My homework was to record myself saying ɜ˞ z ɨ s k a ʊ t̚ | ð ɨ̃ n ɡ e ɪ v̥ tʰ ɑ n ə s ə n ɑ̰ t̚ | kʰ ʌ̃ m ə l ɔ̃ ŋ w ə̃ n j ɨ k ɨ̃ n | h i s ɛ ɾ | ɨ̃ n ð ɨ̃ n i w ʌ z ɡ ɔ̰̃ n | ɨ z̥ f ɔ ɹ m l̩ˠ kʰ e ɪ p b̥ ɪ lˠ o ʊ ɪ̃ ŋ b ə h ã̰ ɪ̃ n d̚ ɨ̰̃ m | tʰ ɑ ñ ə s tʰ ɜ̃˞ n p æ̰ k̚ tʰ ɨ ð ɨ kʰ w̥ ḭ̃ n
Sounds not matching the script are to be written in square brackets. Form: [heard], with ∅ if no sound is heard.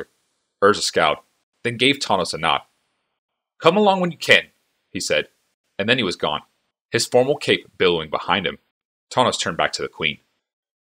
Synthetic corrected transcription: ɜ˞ z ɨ s k a ʊ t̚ | ð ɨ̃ n ɡ e ɪ v̥ tʰ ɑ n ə s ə n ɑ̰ t̚ | kʰ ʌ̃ m ə l ɔ̃ ŋ w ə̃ n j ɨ [kʰ] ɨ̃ n | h i s ɛ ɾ | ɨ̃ n ð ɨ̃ n i w ʌ z ɡ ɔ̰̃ n | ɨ z̥ f ɔ ɹ m l̩ˠ kʰ e ɪ p b̥ ɪ lˠ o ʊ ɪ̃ ŋ b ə h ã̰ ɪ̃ n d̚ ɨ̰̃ m | tʰ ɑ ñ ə s tʰ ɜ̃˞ n [b] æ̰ k̚ tʰ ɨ ð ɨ kʰ w̥ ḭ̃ n